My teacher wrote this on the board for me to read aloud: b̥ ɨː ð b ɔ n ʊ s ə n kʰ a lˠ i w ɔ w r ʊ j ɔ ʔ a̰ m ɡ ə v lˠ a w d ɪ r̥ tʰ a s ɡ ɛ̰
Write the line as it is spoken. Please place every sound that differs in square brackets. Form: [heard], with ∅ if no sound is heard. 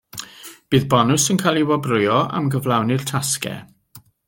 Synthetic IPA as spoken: b̥ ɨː ð b ɔ n ʊ s ə n kʰ a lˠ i w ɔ [b] r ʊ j ɔ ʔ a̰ m ɡ ə v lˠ a w [n] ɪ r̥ tʰ a s [k] ɛ̰